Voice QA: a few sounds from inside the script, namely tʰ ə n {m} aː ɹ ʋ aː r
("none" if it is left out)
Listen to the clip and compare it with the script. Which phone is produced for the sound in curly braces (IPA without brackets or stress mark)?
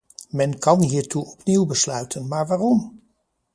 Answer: m